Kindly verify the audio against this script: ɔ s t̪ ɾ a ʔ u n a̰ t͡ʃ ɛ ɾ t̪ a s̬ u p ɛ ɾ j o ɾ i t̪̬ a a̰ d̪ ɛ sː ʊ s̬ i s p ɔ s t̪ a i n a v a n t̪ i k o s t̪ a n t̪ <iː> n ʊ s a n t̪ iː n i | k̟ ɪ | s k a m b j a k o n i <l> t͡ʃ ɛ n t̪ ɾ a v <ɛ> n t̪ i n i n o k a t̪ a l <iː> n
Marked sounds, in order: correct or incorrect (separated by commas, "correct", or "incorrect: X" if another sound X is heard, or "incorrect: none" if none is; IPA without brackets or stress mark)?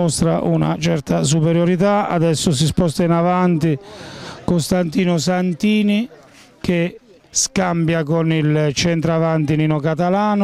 correct, correct, incorrect: a, incorrect: aː